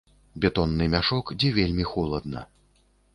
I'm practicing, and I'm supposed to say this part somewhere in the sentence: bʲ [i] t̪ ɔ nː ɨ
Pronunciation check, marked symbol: incorrect: ɛ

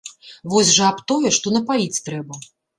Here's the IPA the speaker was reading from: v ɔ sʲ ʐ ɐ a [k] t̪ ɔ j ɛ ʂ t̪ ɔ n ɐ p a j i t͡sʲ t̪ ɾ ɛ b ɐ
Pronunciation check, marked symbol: incorrect: p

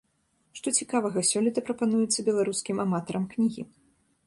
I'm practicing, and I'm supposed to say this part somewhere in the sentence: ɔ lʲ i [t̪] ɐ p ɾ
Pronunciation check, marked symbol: correct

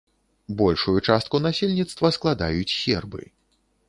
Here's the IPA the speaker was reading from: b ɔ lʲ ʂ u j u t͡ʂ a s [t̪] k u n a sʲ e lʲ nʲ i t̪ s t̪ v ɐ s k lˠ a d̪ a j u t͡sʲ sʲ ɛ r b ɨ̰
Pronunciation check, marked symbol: correct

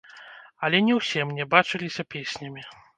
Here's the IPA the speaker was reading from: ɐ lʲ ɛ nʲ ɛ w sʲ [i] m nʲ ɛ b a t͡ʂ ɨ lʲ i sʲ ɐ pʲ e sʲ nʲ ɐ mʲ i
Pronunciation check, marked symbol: incorrect: ɛ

